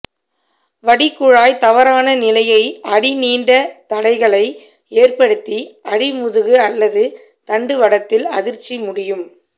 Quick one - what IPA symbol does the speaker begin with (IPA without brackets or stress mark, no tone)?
ʋ